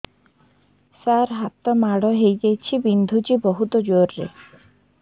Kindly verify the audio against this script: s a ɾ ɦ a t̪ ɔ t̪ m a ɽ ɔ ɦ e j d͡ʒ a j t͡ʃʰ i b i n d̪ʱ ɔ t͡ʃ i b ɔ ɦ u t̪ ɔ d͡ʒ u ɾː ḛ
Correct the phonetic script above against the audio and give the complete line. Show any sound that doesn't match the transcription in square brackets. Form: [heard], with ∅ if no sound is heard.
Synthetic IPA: s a ɾ ɦ a t̪ ɔ [∅] m a ɽ ɔ ɦ e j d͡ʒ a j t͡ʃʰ i b i n d̪ʱ [u] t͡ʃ i b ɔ ɦ u t̪ ɔ d͡ʒ [o] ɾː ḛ